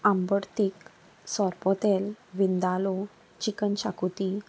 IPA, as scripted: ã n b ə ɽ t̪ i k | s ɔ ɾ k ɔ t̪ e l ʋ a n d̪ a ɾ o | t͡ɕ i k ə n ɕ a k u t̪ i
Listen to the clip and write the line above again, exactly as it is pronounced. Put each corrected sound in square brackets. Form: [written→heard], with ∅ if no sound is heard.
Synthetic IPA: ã [n→m] b ə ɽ t̪ i k | s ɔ ɾ [k→p] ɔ t̪ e l ʋ [a→i] n d̪ a [ɾ→l] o | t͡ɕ i k ə n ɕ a k u t̪ i